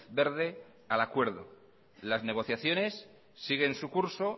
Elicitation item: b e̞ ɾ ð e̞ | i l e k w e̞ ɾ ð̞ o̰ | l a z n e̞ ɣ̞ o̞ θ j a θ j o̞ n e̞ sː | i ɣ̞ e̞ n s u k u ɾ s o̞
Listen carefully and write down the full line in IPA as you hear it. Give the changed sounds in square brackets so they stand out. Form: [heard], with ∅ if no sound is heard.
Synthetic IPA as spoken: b e̞ ɾ ð e̞ | [a] l [a] k w e̞ ɾ ð̞ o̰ | l a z n e̞ ɣ̞ o̞ θ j a θ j o̞ n e̞ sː | i ɣ̞ e̞ n s u k u ɾ s o̞